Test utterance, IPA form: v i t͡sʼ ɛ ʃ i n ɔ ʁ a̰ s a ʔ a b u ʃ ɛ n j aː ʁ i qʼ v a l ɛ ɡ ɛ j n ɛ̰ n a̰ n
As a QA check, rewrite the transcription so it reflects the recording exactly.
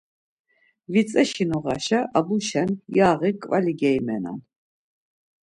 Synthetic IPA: v i t͡sʼ ɛ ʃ i n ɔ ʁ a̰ ʃ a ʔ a b u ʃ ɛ n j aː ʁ i kʼ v a l i ɡ ɛ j m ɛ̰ n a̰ n